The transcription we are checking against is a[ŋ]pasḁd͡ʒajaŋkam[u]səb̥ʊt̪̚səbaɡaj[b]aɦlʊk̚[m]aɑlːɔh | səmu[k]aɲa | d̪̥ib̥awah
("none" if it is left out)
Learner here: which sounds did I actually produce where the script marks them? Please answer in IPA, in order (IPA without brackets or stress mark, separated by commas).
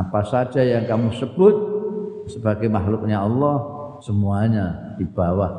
none, u, m, ɲ, none